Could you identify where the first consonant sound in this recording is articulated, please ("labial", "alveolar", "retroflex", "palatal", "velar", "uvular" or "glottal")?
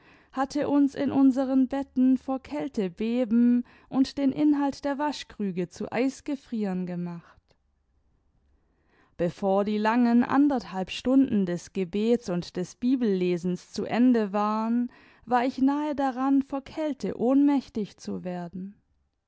glottal